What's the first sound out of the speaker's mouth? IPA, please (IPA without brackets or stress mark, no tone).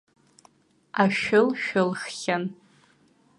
a